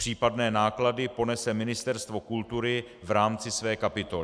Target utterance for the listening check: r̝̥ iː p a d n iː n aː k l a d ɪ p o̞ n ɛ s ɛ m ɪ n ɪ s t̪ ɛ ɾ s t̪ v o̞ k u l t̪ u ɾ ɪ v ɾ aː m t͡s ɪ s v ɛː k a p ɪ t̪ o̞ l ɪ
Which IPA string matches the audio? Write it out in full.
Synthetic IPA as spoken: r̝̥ iː p a d n ɛː n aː k l a d ɪ p o̞ n ɛ s ɛ m ɪ n ɪ s t̪ ɛ ɾ s t̪ v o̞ k u l t̪ u ɾ ɪ v ɾ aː m t͡s ɪ s v ɛː k a p ɪ t̪ o̞ l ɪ